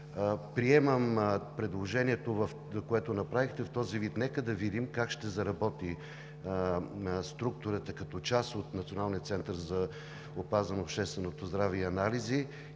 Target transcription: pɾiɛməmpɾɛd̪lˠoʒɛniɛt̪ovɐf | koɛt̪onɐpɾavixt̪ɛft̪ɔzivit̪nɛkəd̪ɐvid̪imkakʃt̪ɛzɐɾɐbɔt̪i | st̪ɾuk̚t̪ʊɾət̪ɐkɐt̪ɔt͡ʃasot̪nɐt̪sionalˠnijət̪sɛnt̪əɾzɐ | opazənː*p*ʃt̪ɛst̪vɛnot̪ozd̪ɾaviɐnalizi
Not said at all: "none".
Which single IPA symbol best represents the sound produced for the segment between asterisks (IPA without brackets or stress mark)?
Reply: p